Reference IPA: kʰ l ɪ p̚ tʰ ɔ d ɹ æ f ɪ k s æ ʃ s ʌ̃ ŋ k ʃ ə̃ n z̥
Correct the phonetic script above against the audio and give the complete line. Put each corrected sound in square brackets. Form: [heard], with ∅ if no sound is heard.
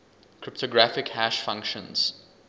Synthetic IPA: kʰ [ɹ] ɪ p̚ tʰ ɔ [ɡ] ɹ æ f ɪ k [h] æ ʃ [f] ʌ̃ ŋ k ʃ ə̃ n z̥